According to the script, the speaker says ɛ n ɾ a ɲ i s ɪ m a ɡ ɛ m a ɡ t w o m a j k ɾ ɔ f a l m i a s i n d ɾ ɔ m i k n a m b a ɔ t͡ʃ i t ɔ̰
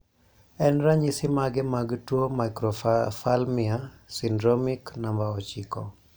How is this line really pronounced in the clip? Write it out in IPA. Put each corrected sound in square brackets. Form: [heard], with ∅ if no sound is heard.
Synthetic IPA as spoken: ɛ n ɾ a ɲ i s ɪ m a ɡ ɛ m a ɡ t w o m a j k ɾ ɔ f a l m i a s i n d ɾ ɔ m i k n a m b a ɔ t͡ʃ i [k] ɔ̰